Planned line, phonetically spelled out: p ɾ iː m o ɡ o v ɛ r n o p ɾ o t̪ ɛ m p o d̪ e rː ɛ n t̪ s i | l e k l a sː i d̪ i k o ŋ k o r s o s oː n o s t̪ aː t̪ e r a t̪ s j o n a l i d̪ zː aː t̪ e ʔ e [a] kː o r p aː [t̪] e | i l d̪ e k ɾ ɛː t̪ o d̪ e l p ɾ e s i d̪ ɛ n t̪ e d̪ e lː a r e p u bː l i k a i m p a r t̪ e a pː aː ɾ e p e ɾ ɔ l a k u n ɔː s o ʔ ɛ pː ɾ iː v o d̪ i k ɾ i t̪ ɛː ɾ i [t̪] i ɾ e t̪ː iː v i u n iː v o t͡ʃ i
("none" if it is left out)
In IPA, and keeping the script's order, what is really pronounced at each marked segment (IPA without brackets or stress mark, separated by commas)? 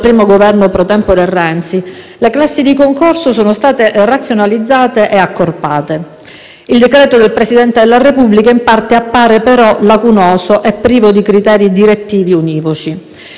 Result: a, t̪, d̪